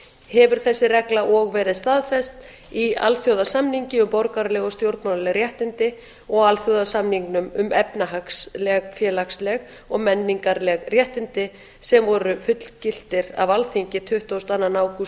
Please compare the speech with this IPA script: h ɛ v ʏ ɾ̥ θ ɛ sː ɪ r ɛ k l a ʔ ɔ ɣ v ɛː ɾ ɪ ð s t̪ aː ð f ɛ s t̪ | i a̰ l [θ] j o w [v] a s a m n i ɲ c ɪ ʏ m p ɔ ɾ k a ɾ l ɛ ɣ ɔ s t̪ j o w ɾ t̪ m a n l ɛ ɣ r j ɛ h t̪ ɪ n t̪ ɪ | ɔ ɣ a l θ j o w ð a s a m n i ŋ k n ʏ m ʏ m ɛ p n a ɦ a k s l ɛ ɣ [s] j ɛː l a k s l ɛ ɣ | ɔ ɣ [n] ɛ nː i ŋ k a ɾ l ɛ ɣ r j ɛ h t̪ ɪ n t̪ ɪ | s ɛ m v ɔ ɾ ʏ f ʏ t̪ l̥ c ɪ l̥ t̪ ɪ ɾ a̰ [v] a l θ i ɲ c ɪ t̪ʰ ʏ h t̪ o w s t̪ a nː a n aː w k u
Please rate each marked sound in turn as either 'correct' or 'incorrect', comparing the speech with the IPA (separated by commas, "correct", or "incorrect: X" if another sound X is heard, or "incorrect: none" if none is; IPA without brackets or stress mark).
correct, incorrect: ð, incorrect: f, incorrect: m, correct